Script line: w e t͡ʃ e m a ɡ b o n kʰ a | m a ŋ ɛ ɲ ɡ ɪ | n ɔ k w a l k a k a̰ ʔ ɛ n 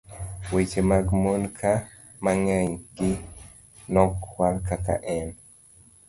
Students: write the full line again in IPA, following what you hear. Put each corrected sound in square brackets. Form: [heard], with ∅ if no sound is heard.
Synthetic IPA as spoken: w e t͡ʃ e m a ɡ [m] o n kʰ a | m a ŋ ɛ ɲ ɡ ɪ | n ɔ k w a l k a k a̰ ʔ ɛ n